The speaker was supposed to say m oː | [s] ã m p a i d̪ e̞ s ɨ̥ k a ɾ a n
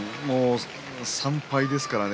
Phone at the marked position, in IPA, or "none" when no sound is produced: s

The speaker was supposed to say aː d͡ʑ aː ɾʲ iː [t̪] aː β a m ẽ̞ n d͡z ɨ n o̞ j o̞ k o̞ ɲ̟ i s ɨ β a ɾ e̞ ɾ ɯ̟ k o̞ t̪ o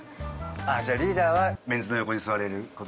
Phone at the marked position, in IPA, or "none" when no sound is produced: d̪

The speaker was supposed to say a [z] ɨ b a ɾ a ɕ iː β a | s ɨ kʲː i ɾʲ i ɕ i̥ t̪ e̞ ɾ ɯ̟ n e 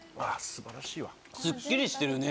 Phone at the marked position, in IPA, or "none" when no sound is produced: s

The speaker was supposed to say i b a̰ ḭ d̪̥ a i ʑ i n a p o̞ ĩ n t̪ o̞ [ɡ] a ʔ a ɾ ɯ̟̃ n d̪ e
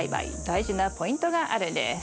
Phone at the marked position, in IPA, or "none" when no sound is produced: ɡ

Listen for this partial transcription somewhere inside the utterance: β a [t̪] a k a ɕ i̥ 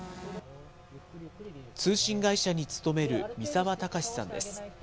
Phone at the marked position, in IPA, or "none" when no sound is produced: t̪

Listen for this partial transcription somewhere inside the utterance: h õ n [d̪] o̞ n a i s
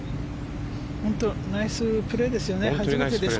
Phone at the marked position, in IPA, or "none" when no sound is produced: t̪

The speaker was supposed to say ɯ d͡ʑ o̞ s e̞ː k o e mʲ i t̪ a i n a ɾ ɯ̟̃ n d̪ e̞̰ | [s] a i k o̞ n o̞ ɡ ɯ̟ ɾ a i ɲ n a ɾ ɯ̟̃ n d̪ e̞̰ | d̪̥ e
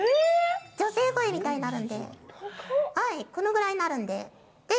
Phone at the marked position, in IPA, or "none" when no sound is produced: h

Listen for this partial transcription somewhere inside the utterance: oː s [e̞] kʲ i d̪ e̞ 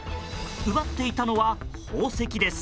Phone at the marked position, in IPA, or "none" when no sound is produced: e̞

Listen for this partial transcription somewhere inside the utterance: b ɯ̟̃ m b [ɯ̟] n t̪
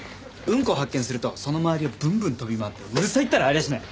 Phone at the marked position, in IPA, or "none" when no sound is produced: ɯ̟̃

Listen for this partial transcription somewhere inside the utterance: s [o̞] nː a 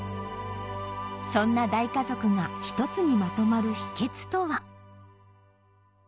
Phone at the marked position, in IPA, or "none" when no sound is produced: õ̞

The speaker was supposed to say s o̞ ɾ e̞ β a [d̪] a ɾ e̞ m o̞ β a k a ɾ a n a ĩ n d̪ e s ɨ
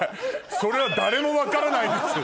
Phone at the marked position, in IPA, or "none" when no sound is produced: d̪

